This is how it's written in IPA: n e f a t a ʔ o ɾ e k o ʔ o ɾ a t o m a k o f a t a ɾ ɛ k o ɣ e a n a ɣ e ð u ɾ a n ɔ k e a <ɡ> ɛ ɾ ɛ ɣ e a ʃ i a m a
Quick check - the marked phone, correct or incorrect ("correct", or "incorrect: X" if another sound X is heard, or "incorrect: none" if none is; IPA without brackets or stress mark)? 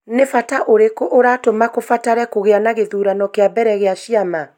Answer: incorrect: b